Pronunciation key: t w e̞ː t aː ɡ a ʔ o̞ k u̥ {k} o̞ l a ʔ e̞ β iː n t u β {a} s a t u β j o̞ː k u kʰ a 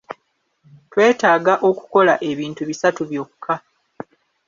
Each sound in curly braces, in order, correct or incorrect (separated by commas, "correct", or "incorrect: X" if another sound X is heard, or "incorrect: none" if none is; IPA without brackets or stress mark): correct, incorrect: i